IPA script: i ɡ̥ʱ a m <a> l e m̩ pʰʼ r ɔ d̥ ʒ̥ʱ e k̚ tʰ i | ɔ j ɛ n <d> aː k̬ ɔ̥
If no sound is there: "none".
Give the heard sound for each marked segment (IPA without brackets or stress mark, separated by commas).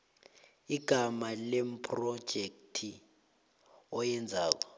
a, d͡zʱ